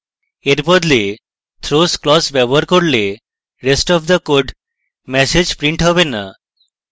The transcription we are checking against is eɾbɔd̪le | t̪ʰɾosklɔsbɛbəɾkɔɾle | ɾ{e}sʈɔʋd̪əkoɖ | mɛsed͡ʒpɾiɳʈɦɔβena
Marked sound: correct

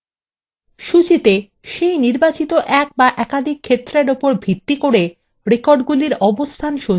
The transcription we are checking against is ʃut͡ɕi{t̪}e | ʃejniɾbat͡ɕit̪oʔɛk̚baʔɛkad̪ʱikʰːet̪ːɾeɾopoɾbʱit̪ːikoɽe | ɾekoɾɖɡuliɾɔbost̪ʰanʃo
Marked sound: correct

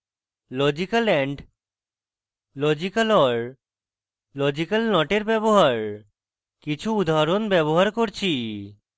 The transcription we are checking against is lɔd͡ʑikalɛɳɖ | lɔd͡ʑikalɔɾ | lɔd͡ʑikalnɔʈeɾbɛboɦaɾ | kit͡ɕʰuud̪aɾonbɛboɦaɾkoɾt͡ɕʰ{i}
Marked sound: correct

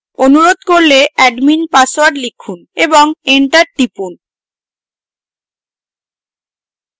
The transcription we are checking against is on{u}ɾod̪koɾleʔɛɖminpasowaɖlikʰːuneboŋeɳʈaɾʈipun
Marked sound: correct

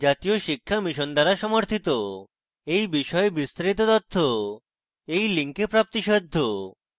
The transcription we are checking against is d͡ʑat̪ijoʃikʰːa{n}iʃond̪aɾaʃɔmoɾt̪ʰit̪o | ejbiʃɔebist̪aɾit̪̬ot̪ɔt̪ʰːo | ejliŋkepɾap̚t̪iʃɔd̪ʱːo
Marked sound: incorrect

